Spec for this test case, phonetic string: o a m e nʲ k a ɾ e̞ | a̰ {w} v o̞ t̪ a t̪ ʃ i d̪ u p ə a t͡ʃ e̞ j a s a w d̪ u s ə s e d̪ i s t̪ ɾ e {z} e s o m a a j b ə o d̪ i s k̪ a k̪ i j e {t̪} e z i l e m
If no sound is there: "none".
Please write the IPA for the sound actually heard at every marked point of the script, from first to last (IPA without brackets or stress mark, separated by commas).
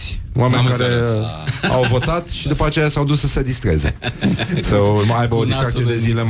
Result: w, z, d̪